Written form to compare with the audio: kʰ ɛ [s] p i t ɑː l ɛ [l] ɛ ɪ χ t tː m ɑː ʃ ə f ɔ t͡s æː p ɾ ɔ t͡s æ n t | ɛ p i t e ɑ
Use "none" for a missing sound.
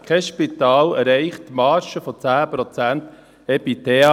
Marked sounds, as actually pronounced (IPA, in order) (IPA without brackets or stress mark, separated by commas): ʃ, ɾ